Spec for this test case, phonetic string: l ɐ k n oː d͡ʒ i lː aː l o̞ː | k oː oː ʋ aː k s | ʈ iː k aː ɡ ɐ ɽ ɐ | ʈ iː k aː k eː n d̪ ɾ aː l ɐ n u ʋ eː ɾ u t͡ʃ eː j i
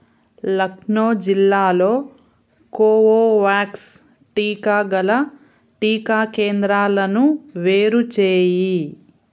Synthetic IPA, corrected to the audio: l ɐ k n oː d͡ʒ i lː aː l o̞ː | k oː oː ʋ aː k s | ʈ iː k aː ɡ ɐ l ɐ | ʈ iː k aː k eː n d̪ ɾ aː l ɐ n u ʋ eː ɾ u t͡ʃ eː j i